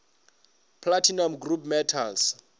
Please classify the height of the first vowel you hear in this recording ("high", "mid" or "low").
low